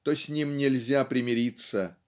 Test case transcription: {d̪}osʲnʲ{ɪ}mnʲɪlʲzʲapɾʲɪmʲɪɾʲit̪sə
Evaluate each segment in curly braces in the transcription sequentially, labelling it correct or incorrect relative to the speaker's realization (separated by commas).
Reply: incorrect, incorrect